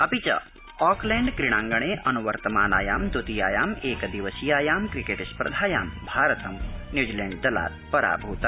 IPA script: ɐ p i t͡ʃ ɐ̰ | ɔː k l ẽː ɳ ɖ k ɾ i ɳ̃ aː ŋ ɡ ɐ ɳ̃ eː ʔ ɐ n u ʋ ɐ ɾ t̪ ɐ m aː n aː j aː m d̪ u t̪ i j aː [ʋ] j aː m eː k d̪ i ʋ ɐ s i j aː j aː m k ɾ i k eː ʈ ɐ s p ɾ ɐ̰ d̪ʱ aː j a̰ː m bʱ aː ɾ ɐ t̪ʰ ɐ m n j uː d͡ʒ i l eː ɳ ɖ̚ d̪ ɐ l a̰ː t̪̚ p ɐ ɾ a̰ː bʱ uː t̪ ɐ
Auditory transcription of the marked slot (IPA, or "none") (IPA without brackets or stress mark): none